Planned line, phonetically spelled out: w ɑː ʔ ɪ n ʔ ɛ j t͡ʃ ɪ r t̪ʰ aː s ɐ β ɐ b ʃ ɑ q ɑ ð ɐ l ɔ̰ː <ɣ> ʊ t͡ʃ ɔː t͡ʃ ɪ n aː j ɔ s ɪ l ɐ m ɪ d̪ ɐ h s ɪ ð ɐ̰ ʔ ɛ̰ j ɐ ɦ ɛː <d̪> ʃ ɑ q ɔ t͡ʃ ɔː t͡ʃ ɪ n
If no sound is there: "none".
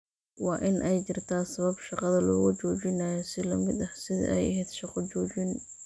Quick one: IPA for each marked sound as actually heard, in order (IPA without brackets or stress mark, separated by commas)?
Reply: ɣ, d̪